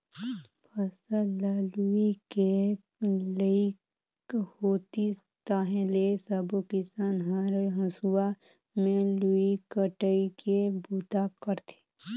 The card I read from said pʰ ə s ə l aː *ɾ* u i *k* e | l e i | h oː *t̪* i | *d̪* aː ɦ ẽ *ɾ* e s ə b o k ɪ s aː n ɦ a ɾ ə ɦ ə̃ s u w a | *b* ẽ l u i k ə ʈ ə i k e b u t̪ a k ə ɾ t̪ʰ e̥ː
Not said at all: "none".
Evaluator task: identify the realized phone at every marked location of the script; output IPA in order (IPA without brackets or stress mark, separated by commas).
l, k, t̪, t̪, l, m